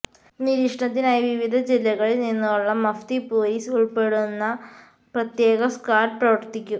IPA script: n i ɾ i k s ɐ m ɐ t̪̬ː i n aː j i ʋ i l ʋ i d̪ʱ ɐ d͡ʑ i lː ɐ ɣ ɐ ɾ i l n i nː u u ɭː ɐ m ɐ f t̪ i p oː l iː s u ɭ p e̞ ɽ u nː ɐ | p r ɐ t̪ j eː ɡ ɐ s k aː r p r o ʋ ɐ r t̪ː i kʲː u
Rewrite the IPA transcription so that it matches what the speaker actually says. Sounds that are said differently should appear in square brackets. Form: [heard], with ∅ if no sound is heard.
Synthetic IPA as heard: n i ɾ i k [ʂ] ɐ [ɳ] ɐ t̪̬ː i n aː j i ʋ i [∅] ʋ i d̪ʱ ɐ d͡ʑ i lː ɐ ɣ ɐ [ɭ] i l n i nː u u ɭː ɐ m ɐ f t̪ i p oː l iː s u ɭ p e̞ ɽ u nː ɐ | p r ɐ t̪ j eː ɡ ɐ s k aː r p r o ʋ ɐ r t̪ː i kʲː u